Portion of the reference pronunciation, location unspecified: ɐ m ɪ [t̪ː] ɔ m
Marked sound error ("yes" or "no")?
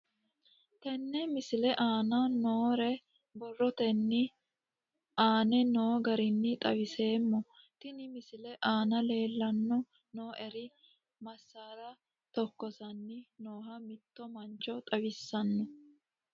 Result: no